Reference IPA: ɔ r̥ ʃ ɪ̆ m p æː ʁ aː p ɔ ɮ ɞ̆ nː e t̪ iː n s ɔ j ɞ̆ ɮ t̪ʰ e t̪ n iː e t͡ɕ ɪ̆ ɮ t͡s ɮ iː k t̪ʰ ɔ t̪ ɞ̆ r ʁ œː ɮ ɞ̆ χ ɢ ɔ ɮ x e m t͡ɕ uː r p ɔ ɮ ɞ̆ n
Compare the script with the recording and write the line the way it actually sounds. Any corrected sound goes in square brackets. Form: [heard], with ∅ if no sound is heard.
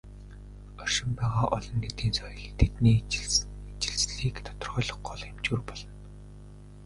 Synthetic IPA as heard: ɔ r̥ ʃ ɪ̆ m p æː ʁ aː [ʔ] ɔ ɮ ɞ̆ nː e t̪ iː n s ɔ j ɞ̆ ɮ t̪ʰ e t̪ n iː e t͡ɕ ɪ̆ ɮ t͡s ɮ iː k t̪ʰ ɔ t̪ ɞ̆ r ʁ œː ɮ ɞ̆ χ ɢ ɔ ɮ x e m t͡ɕ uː r p ɔ ɮ ɞ̆ n

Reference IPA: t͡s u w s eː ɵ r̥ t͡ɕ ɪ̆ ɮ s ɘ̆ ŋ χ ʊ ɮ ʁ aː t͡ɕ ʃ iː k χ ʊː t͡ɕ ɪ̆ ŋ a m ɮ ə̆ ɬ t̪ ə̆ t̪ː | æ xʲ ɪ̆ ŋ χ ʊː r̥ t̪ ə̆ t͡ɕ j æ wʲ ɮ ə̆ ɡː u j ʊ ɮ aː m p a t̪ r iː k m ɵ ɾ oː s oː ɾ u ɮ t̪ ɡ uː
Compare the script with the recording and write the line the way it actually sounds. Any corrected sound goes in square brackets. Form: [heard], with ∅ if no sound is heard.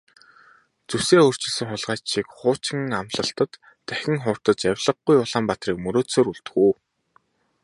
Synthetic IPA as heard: t͡s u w s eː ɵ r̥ t͡ɕ ɪ̆ ɮ s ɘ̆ ŋ χ ʊ ɮ ʁ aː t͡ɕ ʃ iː k χ ʊː t͡ɕ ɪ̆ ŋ a m ɮ ə̆ ɬ t̪ ə̆ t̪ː | æ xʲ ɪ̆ ŋ χ ʊː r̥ t̪ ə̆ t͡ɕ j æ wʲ ɮ ə̆ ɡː u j ʊ ɮ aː m p a t̪ r iː k m ɵ ɾ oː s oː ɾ u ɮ t̪ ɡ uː

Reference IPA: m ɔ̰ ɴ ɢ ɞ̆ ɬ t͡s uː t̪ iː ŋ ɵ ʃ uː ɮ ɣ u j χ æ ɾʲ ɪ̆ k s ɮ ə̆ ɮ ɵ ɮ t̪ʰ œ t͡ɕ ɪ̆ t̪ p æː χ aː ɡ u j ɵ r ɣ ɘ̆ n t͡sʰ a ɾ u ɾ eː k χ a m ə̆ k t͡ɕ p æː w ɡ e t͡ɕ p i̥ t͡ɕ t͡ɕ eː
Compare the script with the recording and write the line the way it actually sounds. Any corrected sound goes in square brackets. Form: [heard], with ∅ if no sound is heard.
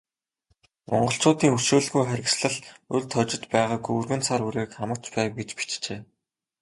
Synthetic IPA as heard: m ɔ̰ ɴ ɢ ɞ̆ ɬ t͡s [ʊː] t̪ iː ŋ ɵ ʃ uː ɮ ɣ u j χ æ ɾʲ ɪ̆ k s ɮ ə̆ ɮ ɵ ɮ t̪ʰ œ t͡ɕ ɪ̆ t̪ p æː [ʁ] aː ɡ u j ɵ r ɣ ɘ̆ n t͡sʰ a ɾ u ɾ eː k χ a m ə̆ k t͡ɕ p æː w ɡ e t͡ɕ p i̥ t͡ɕ t͡ɕ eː

